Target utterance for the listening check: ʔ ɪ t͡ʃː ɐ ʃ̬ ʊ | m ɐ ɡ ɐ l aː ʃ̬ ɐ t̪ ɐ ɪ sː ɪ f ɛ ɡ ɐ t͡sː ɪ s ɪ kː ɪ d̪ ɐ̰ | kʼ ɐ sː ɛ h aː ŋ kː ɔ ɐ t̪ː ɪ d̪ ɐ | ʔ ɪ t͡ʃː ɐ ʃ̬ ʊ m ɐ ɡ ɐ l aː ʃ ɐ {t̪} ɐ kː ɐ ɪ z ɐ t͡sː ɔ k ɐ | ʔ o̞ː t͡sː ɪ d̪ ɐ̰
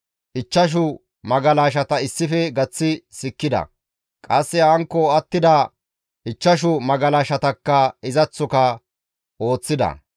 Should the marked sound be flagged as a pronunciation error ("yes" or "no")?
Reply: no